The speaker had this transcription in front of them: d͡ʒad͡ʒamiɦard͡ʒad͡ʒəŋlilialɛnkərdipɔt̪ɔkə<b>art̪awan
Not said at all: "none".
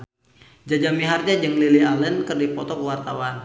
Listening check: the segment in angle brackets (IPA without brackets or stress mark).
w